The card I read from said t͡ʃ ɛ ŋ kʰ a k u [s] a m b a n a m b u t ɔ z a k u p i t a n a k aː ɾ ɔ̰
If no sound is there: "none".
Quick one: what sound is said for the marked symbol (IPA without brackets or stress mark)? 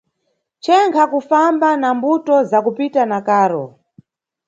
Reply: f